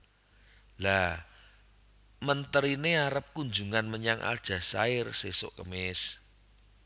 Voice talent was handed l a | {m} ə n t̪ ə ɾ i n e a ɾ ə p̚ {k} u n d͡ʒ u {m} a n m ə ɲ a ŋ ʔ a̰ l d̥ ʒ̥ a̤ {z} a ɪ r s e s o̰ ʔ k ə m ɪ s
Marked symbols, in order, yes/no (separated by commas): yes, yes, no, no